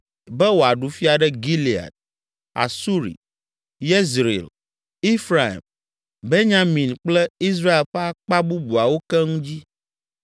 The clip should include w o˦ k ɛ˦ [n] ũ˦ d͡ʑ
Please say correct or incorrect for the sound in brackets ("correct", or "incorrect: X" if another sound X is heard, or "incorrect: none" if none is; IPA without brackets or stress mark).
incorrect: ŋ